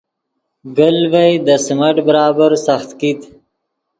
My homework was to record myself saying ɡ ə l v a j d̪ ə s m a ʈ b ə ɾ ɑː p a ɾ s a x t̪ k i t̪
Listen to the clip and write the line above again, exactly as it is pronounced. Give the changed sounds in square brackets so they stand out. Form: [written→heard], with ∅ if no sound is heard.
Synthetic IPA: ɡ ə l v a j d̪ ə s m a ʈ b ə ɾ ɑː [p→b] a ɾ s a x t̪ k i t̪